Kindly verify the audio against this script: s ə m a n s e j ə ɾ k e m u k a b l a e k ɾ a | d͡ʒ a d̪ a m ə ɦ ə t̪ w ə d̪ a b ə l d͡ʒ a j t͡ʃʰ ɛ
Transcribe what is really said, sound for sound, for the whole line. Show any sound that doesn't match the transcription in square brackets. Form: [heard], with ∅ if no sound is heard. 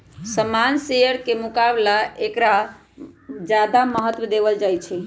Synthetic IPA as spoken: s ə m a n s e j ə ɾ k e m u k a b l a e k ɾ a | d͡ʒ a d̪ a m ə ɦ ə t̪ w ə d̪ [e] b ə l d͡ʒ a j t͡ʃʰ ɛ